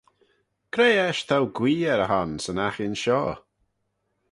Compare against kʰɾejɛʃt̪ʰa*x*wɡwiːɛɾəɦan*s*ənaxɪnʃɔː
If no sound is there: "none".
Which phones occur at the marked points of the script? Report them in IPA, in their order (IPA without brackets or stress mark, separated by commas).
none, s